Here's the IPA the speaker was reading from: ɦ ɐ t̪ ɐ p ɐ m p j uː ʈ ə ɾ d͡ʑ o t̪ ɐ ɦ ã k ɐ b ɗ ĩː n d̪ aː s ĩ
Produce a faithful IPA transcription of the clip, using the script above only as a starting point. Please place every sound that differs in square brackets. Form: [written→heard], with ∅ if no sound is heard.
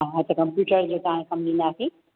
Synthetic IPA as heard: ɦ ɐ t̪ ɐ [p→k] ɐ m p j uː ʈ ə ɾ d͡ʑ o t̪ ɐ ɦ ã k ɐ [b→m] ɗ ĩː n d̪ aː s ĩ